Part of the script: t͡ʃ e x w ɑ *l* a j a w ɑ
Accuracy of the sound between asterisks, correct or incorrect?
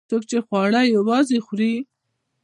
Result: incorrect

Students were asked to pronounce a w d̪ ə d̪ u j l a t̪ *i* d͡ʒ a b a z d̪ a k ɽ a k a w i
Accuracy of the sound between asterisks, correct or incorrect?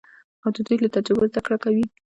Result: incorrect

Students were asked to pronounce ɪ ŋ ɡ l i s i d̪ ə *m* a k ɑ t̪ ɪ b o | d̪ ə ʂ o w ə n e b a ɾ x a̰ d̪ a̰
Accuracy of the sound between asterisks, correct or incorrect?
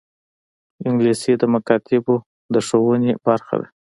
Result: correct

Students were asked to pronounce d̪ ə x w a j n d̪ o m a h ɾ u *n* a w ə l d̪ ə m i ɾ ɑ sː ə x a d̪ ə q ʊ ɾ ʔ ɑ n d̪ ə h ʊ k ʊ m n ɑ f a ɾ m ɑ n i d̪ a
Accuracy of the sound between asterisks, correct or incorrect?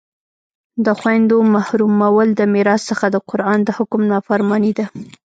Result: incorrect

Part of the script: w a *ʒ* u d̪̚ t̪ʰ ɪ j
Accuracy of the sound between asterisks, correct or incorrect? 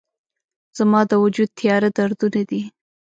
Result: incorrect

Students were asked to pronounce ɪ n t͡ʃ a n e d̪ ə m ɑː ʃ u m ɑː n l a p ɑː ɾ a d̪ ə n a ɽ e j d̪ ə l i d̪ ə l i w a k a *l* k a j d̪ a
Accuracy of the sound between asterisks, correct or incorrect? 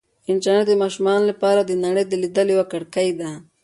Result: incorrect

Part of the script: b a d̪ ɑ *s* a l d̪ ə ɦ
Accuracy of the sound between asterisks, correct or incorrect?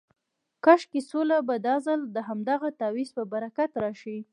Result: incorrect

